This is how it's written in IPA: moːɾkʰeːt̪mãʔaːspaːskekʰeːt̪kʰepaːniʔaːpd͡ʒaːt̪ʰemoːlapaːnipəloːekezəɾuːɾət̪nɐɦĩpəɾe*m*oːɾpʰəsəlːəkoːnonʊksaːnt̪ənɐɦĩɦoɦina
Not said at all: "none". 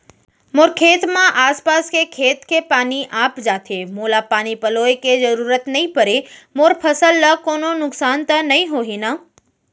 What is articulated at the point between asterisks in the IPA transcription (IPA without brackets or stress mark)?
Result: m